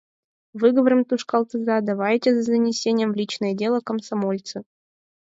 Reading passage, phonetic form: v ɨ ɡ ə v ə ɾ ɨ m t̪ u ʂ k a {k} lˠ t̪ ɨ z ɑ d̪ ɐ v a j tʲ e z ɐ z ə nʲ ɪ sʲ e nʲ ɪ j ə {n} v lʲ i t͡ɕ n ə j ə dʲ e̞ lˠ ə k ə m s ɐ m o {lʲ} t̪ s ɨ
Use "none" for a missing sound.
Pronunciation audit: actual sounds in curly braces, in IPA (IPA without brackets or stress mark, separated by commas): none, m, lʲ